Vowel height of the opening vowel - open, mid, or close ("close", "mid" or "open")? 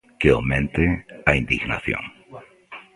mid